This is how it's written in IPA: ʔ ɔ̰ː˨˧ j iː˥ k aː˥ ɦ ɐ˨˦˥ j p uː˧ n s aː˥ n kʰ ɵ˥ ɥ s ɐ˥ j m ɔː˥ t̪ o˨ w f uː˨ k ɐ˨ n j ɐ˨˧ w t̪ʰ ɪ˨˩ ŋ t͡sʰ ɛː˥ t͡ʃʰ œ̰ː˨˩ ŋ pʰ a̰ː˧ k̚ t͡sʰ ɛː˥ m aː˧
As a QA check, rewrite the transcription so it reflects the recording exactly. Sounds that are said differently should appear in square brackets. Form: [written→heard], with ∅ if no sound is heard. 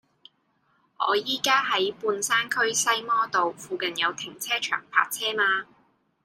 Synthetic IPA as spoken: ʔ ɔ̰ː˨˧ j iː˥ k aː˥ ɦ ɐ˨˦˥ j p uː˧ n s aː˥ n kʰ ɵ˥ ɥ s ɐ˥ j m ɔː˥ t̪ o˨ w f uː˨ k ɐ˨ n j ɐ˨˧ w t̪ʰ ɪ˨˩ ŋ t͡sʰ ɛː˥ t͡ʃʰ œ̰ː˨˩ ŋ pʰ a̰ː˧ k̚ t͡sʰ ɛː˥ m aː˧